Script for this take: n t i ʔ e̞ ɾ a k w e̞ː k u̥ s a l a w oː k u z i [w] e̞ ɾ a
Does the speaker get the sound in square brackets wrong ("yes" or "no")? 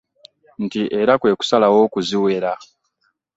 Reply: no